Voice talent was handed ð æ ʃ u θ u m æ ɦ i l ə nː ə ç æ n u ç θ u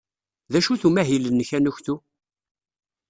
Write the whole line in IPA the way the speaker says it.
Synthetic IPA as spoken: ð æ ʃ u θ u m æ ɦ i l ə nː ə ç æ n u ç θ u